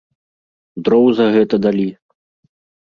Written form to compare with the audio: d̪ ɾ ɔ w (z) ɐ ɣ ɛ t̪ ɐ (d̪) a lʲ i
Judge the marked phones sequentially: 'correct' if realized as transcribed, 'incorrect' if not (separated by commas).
correct, correct